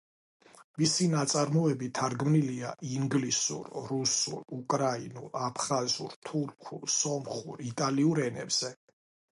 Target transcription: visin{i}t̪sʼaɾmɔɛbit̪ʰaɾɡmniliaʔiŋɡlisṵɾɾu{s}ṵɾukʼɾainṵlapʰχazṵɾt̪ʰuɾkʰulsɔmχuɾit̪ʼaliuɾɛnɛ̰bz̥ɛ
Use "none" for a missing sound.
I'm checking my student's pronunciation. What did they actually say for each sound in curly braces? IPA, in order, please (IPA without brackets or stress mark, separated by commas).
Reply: a, s